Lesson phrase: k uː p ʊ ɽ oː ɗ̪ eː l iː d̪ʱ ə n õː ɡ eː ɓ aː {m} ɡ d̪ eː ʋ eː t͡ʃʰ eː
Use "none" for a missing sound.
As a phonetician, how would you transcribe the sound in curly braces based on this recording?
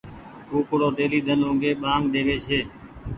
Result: ŋ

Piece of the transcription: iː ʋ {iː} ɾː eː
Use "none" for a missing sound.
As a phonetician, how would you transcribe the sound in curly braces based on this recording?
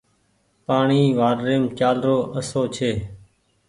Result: aː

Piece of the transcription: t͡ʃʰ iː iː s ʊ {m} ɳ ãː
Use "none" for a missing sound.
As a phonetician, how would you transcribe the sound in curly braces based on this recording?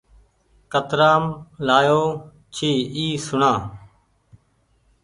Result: none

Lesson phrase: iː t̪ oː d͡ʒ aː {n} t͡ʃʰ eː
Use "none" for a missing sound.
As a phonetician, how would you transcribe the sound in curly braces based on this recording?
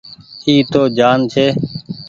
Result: n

